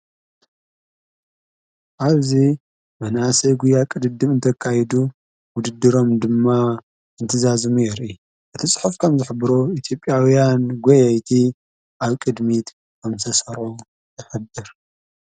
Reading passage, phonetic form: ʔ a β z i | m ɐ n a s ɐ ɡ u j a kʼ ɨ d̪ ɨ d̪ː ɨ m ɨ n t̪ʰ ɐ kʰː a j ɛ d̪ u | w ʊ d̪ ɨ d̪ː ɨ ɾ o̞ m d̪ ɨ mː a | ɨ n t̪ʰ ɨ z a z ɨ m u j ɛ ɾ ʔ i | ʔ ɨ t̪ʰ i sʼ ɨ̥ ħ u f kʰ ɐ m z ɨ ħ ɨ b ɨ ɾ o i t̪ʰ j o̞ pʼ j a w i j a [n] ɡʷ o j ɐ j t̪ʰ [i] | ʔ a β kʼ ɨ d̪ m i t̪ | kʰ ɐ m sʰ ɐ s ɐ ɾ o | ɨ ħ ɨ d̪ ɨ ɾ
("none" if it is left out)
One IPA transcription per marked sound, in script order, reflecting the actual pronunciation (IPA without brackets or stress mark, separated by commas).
n, i